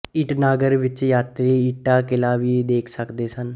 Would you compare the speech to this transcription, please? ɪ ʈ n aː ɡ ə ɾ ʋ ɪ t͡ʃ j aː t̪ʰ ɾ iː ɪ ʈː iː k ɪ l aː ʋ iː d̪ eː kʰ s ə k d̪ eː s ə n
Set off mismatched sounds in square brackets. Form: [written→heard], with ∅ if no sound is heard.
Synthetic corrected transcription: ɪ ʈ n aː ɡ ə ɾ ʋ ɪ t͡ʃ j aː [t̪ʰ→t̪] ɾ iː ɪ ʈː [iː→aː] k ɪ l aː ʋ iː d̪ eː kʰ s ə k d̪ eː s ə n